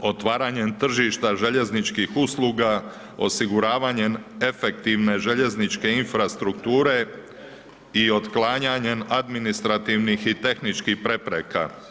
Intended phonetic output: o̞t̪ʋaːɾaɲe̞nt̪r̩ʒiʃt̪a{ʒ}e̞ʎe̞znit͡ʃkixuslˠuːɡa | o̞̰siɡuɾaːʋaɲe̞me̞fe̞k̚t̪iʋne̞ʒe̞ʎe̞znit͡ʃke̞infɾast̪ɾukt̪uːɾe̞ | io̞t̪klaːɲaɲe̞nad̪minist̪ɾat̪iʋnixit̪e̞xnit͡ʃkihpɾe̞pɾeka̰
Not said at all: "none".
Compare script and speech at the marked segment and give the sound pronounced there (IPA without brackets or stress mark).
ʒ